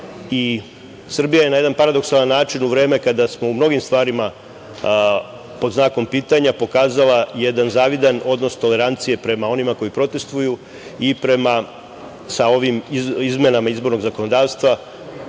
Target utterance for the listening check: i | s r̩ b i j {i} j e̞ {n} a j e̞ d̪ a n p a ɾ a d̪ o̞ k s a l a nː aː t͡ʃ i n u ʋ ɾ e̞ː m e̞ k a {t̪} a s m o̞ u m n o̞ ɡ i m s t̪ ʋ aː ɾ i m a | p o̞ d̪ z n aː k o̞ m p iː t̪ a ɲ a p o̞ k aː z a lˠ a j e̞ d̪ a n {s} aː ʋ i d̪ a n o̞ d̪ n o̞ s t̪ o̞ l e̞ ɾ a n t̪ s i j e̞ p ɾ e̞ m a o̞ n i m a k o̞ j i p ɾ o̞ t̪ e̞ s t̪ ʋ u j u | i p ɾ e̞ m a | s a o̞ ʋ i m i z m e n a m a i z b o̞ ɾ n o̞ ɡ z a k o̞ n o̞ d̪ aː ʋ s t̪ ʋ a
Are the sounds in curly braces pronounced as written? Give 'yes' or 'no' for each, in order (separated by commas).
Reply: no, yes, no, no